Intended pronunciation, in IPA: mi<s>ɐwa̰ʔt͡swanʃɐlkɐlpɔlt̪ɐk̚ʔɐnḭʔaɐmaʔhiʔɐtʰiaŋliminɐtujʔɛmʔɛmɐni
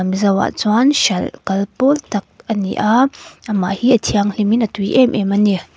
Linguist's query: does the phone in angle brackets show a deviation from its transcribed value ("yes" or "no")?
yes